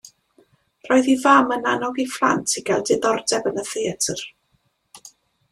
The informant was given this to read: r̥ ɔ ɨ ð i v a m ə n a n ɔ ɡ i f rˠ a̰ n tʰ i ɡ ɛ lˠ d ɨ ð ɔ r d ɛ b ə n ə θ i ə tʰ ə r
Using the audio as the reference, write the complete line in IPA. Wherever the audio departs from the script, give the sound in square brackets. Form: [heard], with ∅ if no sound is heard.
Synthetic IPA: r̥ ɔ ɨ ð i v a m ə n a n ɔ ɡ i f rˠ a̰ n tʰ i ɡ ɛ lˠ d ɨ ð ɔ r d ɛ b ə n ə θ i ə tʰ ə r